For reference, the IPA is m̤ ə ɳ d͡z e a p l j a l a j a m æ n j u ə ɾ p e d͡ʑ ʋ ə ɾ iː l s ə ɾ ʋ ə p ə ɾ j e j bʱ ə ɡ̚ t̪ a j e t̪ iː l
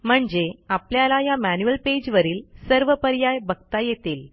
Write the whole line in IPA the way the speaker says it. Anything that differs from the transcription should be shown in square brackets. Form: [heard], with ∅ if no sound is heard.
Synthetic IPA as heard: m̤ ə ɳ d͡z e a p l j a l a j a m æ n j u ə [l] p e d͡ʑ ʋ ə ɾ iː l s ə ɾ ʋ ə p ə ɾ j [a] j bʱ ə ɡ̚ t̪ a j e t̪ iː l